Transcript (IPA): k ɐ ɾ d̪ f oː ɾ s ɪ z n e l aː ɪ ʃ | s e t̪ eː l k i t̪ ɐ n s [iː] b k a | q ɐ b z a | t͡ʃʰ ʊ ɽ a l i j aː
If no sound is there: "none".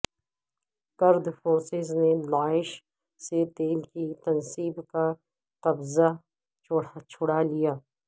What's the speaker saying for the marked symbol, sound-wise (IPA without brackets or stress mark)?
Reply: iː